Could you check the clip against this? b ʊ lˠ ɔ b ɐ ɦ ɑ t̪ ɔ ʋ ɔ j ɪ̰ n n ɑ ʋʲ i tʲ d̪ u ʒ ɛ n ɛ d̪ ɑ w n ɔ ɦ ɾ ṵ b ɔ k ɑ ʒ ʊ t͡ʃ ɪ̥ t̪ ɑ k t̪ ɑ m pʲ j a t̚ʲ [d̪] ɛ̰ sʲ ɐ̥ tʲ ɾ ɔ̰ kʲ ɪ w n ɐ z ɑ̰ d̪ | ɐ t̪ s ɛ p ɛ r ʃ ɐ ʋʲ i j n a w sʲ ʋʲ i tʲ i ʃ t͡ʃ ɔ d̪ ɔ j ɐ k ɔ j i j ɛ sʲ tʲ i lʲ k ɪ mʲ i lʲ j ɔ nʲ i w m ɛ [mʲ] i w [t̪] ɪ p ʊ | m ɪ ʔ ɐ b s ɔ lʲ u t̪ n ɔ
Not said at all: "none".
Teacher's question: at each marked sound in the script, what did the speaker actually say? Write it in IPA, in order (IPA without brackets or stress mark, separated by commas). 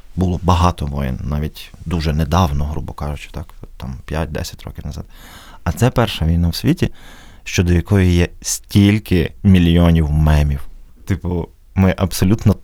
d̪, mʲ, t̪